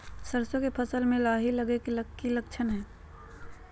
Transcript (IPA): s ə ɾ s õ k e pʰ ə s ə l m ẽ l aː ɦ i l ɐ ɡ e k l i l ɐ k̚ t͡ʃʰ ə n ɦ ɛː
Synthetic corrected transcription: s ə ɾ s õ k e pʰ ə s ə l m ẽ l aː ɦ i l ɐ ɡ e k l i l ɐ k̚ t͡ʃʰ ə n ɦ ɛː